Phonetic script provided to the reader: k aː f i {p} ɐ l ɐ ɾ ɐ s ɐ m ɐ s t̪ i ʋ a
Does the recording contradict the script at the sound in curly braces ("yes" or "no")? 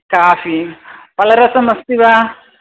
no